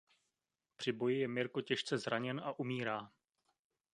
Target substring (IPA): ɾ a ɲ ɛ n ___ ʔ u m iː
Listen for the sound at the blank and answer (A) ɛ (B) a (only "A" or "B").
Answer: B